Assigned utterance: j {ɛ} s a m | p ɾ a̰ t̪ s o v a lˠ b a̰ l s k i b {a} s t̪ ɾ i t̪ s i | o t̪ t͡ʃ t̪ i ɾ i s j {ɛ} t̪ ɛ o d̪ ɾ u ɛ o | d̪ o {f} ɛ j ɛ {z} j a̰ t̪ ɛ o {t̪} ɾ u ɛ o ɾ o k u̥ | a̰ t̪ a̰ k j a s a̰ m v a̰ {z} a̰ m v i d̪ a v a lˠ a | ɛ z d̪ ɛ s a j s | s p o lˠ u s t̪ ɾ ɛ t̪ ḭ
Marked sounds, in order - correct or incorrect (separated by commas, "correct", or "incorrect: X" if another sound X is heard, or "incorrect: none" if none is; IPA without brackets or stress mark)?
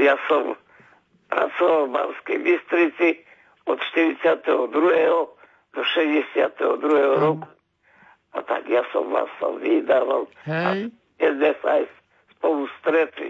incorrect: a, incorrect: i, incorrect: a, incorrect: ʃ, incorrect: s, incorrect: d̪, incorrect: s